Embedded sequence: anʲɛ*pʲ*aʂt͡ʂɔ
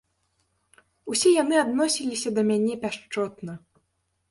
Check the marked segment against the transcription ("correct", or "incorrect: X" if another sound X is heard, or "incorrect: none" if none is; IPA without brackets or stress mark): correct